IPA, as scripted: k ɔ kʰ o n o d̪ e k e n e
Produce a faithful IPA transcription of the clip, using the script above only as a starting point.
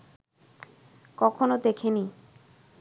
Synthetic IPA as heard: k ɔ kʰ o n o d̪ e kʰ e n i